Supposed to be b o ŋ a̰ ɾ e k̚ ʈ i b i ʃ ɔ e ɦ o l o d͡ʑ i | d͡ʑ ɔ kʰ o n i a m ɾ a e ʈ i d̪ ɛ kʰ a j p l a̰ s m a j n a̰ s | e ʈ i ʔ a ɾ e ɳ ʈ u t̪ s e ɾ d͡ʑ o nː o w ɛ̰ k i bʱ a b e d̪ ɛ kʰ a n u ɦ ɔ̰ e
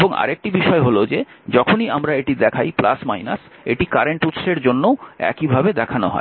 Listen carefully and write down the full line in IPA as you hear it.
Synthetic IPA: b o ŋ a̰ ɾ e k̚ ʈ i b i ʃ ɔ e ɦ o l o d͡ʑ e | d͡ʑ ɔ kʰ o n i a m ɾ a e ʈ i d̪ ɛ kʰ a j p l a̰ s m a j n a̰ s | e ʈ i k a ɾ e ɳ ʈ u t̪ ʃ e ɾ d͡ʑ o nː o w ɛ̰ k i bʱ a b e d̪ ɛ kʰ a n o ɦ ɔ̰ e

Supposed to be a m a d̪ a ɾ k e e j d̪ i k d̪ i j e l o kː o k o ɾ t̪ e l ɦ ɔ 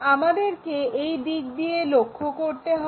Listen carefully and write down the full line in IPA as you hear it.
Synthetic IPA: a m a d̪ e ɾ k e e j d̪ i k d̪ i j e l o kʰː o k o ɾ t̪ e ɦ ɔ

